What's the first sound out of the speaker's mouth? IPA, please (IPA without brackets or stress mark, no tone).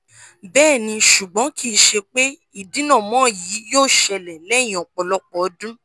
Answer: b